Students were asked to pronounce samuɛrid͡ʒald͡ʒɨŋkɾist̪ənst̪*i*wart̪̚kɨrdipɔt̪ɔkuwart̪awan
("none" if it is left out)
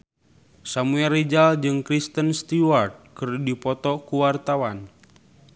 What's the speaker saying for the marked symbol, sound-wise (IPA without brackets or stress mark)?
i